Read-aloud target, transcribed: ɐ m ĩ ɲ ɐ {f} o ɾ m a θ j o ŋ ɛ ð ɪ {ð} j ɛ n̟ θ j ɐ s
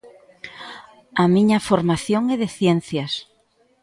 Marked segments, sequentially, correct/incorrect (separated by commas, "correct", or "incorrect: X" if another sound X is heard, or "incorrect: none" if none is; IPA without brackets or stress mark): correct, incorrect: θ